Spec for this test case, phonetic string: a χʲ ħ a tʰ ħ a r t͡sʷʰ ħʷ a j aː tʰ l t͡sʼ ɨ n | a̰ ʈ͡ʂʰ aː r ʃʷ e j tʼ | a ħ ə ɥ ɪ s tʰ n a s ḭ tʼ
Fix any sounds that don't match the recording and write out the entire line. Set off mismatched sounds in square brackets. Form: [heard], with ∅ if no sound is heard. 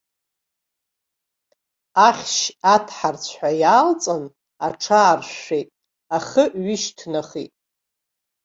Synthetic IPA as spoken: a χʲ [ʃ] a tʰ ħ a r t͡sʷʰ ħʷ a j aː [∅] l t͡sʼ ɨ n | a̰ ʈ͡ʂʰ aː r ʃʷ e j tʼ | a [χ] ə ɥ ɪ [ʃ] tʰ n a [χ] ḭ tʼ